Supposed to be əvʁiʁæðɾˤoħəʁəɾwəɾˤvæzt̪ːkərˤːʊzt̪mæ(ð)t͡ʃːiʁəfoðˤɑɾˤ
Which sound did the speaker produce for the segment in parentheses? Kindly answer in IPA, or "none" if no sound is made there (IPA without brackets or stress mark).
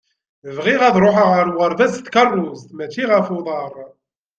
none